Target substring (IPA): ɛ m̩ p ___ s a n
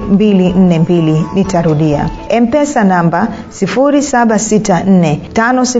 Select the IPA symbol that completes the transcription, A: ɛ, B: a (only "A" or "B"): A